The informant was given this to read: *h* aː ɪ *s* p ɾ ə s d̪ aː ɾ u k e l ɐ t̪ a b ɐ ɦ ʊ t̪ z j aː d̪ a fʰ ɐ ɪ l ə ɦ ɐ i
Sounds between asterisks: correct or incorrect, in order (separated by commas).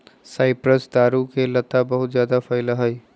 incorrect, incorrect